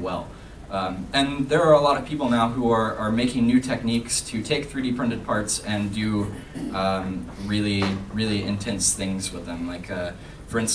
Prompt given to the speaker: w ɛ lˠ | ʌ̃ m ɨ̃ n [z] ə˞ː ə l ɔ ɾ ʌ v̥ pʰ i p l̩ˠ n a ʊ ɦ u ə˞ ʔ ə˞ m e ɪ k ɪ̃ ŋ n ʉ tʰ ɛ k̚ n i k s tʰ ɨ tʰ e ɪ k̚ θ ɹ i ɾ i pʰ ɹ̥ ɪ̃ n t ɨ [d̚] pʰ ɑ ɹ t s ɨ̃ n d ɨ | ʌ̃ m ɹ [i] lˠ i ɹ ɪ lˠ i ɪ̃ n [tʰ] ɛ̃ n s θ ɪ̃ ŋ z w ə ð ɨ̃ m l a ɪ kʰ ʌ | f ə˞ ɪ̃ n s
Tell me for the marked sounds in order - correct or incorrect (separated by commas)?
incorrect, correct, incorrect, correct